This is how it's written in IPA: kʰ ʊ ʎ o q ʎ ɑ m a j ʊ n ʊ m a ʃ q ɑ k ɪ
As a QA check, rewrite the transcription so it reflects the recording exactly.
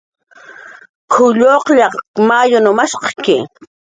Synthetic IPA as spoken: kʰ ʊ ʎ o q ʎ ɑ m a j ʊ n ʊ m a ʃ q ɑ k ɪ